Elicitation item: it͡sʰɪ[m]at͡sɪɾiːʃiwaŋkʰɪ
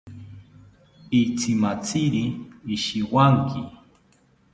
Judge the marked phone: correct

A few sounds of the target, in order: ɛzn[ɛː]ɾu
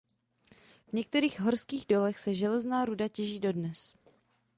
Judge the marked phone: incorrect: aː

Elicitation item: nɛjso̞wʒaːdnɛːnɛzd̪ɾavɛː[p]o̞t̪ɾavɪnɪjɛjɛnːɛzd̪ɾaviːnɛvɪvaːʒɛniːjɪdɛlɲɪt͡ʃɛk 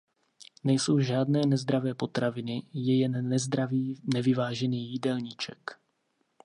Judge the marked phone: correct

